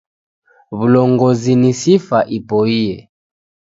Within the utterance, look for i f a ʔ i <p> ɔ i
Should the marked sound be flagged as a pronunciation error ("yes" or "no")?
no